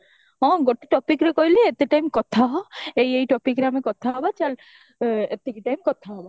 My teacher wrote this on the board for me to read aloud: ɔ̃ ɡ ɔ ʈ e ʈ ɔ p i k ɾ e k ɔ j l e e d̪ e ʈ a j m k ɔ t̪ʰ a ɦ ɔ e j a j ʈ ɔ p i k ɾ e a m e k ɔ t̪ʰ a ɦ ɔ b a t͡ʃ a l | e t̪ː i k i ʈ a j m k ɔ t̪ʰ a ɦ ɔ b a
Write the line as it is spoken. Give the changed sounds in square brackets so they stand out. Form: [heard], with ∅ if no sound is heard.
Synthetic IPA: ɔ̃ ɡ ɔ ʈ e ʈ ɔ p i k ɾ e k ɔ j l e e [t̪] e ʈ a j m k ɔ t̪ʰ a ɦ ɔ e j [e] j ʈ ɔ p i k ɾ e a m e k ɔ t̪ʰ a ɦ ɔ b a t͡ʃ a l | e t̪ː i k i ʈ a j m k ɔ t̪ʰ a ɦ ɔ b a